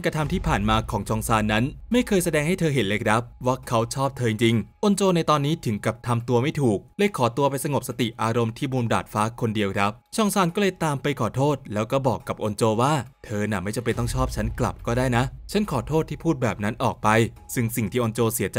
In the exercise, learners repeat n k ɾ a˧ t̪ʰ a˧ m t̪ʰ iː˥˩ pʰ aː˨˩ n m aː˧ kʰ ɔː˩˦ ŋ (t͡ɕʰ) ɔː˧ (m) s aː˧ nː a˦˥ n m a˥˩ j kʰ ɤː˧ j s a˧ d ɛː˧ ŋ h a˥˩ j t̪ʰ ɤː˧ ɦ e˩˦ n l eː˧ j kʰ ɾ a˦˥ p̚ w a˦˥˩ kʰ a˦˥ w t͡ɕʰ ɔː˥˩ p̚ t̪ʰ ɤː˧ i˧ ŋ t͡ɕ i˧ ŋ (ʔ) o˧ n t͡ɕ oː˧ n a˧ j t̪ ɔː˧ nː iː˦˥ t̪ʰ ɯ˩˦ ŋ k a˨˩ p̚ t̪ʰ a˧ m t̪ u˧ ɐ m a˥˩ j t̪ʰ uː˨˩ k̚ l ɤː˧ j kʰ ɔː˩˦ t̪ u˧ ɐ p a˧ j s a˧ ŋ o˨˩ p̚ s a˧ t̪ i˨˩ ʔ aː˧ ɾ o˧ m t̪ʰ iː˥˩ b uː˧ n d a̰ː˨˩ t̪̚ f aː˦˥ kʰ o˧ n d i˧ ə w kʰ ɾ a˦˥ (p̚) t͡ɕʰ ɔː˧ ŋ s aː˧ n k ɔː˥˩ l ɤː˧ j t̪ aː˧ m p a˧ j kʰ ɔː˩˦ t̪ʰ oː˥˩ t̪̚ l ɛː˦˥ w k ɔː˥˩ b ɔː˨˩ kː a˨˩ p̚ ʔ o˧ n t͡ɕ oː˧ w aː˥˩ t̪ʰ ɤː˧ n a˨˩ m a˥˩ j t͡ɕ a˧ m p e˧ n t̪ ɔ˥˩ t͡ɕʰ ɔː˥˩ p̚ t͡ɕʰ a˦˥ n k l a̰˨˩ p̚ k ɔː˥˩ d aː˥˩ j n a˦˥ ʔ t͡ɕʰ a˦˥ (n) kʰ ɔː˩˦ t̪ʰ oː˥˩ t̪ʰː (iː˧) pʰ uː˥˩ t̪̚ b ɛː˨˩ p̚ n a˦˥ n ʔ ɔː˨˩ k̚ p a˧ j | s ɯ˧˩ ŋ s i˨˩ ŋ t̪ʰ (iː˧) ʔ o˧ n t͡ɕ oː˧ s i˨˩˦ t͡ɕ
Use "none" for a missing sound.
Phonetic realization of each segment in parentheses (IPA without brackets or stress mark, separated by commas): t͡ɕʰ, ŋ, ʔ, p̚, n, iː˥˩, iː˥˩